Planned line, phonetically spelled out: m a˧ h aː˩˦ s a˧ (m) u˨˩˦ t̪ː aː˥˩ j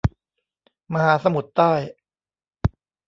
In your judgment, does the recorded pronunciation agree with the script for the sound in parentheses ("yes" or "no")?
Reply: yes